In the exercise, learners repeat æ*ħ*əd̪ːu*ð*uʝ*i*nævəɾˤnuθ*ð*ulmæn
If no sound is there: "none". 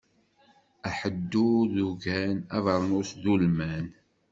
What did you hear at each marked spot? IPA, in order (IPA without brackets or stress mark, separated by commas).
ħ, ð, æ, ð